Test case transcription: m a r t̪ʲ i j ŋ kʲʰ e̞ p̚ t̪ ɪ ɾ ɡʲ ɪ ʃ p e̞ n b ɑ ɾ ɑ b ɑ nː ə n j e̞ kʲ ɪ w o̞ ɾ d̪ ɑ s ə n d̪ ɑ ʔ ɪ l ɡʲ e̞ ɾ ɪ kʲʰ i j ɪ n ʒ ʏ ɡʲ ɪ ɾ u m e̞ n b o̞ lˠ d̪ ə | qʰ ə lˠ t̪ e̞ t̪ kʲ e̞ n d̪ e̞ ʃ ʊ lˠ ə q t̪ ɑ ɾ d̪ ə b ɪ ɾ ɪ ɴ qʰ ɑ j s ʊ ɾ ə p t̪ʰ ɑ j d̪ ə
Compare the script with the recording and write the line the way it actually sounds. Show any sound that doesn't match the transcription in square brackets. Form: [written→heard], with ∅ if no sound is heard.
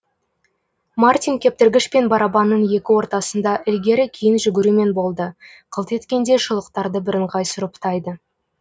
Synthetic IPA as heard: m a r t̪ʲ i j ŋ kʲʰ e̞ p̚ t̪ ɪ ɾ ɡʲ ɪ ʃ p e̞ n b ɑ ɾ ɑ b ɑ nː ə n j e̞ kʲ ɪ w o̞ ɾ [d̪→t̪] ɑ s ə n d̪ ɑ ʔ ɪ l ɡʲ e̞ ɾ ɪ kʲʰ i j ɪ n ʒ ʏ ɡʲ ɪ ɾ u m e̞ n b o̞ lˠ d̪ ə | qʰ ə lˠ t̪ e̞ t̪ kʲ e̞ n d̪ e̞ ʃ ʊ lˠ ə q t̪ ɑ ɾ d̪ ə b ɪ ɾ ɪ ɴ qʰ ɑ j s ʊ ɾ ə p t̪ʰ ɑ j d̪ ə